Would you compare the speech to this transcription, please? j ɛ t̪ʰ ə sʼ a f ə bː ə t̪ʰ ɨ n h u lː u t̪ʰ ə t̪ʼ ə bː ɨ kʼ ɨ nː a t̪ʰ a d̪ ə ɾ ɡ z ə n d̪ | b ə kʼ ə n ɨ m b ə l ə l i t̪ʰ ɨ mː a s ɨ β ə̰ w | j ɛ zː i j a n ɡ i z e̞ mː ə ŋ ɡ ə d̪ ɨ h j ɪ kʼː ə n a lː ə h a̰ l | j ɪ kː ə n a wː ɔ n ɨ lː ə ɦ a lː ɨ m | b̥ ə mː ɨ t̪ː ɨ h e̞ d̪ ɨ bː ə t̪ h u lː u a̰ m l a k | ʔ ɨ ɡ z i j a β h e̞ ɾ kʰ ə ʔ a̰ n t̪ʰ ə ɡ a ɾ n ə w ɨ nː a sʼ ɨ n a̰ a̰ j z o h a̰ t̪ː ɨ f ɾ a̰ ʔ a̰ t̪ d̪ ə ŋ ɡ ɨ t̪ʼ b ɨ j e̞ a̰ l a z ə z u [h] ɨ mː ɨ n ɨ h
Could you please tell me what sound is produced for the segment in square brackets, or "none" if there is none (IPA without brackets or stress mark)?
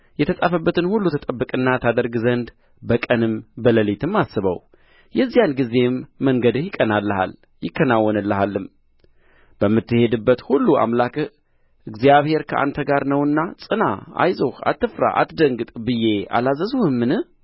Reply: h